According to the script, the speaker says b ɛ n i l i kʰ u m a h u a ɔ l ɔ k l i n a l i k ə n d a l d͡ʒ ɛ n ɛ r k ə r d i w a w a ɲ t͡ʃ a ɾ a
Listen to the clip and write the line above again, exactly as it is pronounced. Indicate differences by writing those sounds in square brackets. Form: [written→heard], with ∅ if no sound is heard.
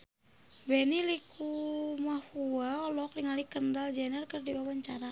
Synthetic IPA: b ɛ n i l i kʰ u m a h u a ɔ l ɔ k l i [n→ŋ] a l i k ə n d a l d͡ʒ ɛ n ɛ r k ə r d i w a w a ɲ t͡ʃ a ɾ a